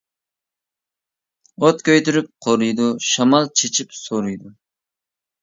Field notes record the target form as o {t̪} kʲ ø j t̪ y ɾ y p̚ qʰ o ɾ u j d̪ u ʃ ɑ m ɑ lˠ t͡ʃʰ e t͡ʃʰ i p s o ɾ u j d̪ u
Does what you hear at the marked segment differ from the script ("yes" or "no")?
no